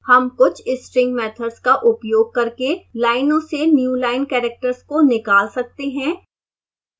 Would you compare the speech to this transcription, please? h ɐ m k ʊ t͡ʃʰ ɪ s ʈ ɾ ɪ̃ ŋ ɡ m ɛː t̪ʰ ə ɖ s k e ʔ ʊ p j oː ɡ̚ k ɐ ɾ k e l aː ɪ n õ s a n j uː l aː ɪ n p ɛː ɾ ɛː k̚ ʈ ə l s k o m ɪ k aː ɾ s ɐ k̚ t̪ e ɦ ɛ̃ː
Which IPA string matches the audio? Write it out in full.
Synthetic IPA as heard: h ɐ m k ʊ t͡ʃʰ ɪ s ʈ ɾ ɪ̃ ŋ ɡ m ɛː t̪ʰ ə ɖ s k a ʔ ʊ p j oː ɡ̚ k ɐ ɾ k e l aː ɪ n õ s e n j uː l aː ɪ n k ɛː ɾ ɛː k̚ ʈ ə ɾ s k o n ɪ k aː l s ɐ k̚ t̪ e ɦ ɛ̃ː